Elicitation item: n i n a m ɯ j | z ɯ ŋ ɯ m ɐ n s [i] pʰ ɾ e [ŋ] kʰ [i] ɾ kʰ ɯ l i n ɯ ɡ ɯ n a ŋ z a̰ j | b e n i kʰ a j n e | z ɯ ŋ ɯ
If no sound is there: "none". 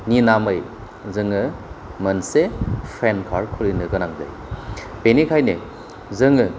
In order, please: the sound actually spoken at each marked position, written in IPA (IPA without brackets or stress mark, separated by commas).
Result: e, n, a